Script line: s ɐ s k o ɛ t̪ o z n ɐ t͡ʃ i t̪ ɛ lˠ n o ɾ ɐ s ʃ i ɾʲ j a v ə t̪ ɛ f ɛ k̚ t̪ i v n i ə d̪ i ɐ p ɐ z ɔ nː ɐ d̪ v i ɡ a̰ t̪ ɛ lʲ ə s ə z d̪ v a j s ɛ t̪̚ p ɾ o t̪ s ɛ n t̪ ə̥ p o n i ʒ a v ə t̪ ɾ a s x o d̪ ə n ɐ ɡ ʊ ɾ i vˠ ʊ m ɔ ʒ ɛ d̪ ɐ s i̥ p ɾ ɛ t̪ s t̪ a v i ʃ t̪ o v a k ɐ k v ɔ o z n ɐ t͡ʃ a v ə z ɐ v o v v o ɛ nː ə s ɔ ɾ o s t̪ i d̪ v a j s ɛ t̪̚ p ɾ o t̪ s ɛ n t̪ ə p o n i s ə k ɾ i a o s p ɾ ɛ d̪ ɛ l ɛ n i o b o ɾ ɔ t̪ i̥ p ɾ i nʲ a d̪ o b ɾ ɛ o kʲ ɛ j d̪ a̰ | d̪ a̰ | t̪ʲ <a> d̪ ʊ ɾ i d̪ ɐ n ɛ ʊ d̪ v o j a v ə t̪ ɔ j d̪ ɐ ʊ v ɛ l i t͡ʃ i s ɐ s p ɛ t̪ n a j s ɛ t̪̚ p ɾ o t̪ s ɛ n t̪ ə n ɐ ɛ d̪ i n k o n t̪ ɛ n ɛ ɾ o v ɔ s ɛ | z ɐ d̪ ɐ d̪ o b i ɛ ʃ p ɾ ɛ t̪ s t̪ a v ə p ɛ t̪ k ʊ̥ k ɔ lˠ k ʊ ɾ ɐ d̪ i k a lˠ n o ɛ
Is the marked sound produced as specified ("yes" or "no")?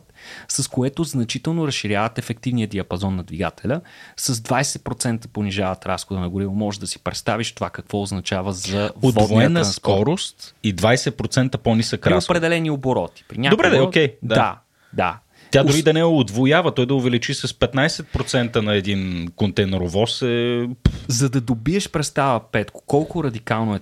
yes